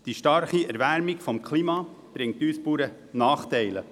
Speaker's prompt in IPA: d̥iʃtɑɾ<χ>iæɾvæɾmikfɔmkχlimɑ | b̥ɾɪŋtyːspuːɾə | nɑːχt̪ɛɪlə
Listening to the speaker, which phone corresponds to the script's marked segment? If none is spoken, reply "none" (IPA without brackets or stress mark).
χ